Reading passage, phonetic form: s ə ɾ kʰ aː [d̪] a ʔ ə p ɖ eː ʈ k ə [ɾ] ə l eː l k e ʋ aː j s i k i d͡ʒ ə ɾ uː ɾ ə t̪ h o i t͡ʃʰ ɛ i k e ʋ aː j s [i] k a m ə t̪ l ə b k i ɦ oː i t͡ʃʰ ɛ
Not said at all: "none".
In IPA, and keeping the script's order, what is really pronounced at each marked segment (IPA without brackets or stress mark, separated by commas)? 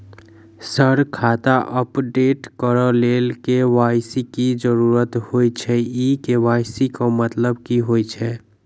t̪, ɾ, i